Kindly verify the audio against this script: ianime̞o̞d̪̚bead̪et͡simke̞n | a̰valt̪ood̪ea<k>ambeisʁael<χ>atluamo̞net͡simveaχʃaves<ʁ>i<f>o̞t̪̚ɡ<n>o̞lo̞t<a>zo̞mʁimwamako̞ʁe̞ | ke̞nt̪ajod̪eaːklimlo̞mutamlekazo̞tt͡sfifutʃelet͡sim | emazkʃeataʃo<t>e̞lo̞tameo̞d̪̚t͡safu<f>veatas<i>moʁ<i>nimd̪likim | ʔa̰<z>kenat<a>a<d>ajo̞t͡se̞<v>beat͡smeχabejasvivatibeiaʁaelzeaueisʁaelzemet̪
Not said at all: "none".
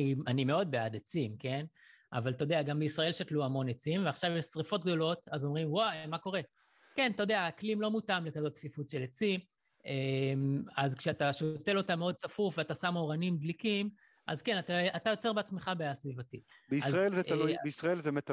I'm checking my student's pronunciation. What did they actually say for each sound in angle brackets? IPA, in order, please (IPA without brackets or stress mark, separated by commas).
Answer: ɡ, ʃ, ʁ, f, d, a, t, f, a, a, z, a, t, ʁ